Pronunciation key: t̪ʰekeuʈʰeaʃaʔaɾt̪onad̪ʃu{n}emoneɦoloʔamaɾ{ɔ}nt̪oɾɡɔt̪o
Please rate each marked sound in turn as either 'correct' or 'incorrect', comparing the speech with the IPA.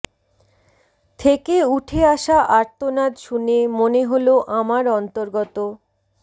correct, correct

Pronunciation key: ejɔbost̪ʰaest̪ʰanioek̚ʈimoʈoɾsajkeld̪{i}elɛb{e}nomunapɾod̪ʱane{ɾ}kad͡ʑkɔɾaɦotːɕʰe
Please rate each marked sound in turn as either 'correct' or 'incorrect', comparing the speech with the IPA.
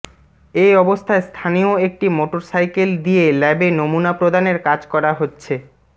correct, correct, correct

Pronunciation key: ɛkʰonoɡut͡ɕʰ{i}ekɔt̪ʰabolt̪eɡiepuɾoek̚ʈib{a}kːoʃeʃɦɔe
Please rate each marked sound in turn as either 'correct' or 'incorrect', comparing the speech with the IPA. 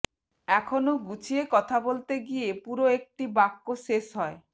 correct, correct

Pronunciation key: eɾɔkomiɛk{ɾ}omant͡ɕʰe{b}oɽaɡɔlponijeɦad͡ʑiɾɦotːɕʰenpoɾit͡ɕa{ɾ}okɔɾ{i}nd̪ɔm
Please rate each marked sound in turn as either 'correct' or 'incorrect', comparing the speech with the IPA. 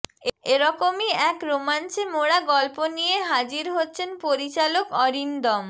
correct, incorrect: m, incorrect: l, correct

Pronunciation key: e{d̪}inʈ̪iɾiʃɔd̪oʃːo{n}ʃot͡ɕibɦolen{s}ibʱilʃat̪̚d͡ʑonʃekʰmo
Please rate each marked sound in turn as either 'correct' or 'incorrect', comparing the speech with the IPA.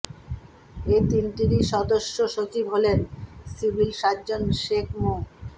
incorrect: t̪, incorrect: none, correct

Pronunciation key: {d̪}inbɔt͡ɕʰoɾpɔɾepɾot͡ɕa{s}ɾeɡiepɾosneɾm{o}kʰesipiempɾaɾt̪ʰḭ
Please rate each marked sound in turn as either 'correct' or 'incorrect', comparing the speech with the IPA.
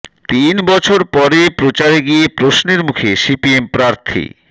incorrect: t̪, incorrect: none, incorrect: u

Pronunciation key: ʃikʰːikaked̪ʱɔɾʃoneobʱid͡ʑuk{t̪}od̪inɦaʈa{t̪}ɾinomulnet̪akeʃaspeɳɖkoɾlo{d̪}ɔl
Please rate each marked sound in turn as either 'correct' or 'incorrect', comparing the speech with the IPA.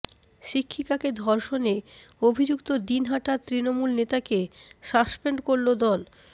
correct, correct, correct

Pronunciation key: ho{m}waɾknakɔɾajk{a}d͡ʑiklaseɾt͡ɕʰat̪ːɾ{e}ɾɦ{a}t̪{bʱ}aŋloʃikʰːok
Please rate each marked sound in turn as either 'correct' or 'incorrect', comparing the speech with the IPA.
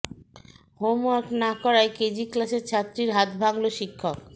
correct, incorrect: e, incorrect: i, correct, correct

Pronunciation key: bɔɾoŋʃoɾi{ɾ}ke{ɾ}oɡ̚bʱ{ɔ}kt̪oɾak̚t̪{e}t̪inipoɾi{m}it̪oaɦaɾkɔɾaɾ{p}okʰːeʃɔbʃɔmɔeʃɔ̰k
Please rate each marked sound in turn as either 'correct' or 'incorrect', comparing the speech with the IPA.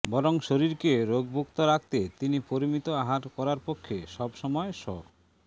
correct, correct, incorrect: u, correct, correct, correct

